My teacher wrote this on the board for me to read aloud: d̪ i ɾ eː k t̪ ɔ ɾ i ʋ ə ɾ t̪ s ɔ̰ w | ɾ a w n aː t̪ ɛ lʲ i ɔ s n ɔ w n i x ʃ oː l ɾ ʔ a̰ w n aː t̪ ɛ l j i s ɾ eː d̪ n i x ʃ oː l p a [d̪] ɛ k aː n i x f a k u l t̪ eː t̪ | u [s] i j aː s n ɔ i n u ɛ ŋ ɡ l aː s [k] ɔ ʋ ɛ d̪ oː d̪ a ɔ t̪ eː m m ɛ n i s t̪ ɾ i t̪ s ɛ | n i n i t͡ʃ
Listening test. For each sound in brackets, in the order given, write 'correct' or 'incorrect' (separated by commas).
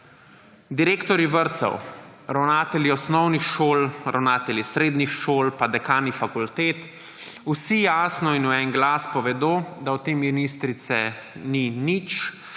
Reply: correct, correct, incorrect